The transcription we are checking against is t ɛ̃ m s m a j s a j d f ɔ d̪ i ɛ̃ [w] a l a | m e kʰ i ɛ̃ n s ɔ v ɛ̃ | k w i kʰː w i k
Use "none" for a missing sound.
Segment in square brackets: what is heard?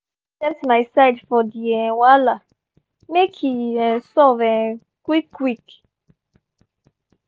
w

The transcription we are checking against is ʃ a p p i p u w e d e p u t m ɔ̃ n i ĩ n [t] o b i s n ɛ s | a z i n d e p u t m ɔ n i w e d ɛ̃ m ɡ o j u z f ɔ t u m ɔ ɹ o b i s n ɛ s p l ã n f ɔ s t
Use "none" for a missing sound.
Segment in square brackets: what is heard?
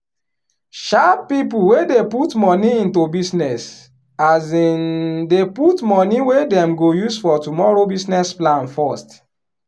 t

